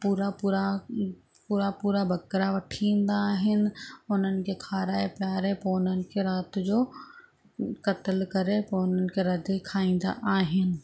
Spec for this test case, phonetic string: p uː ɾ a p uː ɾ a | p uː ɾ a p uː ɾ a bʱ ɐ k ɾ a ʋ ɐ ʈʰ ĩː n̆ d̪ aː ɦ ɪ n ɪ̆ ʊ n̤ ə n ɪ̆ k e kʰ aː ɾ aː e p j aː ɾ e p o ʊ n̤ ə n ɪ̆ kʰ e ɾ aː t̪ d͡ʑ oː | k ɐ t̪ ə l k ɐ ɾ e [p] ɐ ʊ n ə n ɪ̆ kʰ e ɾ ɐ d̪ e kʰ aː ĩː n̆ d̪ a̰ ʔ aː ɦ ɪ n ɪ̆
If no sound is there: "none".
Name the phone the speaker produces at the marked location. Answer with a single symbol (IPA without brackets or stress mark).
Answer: p